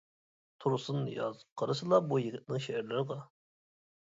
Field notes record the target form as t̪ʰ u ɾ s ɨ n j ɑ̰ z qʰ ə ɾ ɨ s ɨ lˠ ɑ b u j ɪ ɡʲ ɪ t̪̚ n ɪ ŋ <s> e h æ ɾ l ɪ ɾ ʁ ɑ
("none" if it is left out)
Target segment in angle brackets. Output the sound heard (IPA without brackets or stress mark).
ʃ